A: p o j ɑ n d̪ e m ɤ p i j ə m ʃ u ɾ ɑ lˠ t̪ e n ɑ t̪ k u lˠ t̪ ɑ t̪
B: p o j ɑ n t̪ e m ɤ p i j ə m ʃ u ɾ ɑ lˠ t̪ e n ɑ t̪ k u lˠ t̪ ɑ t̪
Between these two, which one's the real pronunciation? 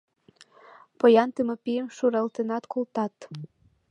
B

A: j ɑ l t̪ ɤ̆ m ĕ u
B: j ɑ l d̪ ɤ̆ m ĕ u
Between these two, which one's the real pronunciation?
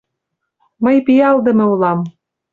B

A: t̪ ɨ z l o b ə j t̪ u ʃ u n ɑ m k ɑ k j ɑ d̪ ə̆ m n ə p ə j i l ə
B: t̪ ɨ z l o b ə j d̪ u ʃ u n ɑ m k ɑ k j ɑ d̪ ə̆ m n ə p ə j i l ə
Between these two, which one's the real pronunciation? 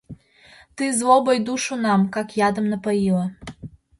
B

